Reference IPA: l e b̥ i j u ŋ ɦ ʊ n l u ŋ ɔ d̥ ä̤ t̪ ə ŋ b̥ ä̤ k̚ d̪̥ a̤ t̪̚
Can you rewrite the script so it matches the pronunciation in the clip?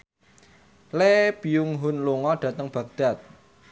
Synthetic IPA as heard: l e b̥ i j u ŋ ɦ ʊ n l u ŋ ɔ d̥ ä̤ t̪ ə ŋ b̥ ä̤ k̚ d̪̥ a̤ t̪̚